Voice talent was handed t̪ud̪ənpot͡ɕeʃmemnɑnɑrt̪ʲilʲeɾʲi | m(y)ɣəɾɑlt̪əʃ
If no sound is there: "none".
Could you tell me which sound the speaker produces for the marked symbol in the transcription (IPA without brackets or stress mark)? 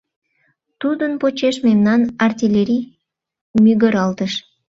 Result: y